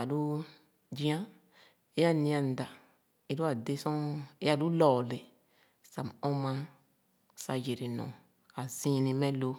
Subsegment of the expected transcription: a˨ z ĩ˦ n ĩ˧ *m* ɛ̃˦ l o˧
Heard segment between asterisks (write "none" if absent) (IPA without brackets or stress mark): m